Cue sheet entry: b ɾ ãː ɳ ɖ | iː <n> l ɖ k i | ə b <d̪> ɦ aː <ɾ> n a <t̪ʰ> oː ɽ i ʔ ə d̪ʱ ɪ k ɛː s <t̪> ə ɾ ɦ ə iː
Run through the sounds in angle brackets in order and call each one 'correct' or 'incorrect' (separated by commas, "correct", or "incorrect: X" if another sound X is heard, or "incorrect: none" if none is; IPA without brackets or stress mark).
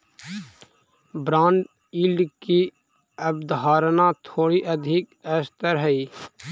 incorrect: none, correct, correct, correct, correct